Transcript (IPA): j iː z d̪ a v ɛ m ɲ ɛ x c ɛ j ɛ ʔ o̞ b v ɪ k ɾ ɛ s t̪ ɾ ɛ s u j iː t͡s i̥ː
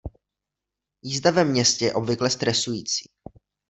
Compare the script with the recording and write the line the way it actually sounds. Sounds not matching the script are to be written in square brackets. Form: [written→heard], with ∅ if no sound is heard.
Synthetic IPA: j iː z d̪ a v ɛ m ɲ ɛ [x→s] c ɛ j ɛ ʔ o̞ b v ɪ k [ɾ→l] ɛ s t̪ ɾ ɛ s u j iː t͡s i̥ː